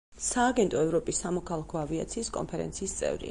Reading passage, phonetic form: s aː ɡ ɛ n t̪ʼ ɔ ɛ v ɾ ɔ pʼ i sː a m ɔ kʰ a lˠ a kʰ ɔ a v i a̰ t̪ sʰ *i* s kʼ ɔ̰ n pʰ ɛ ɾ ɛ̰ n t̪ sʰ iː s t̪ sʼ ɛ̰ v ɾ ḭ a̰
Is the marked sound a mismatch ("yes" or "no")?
yes